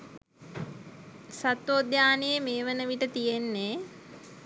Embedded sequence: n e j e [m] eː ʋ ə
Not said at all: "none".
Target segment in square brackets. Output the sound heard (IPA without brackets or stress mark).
m